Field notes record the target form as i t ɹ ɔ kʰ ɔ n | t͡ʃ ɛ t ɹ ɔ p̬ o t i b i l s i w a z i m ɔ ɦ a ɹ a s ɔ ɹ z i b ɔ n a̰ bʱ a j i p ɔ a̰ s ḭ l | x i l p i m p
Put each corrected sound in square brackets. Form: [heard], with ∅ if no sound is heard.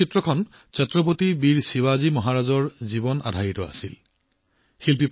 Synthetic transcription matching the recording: i t ɹ ɔ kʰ ɔ n | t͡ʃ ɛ t ɹ ɔ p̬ o t i b i [ɹ] s i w a z i m ɔ ɦ a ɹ a [z] ɔ ɹ z i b ɔ n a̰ [dʱ] a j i [t] ɔ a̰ s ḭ l | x i l p i [∅] p